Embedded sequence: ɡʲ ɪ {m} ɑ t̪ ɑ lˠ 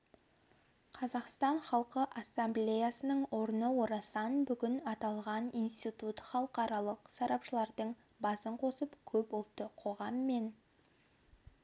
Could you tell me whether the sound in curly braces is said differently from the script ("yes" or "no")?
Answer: yes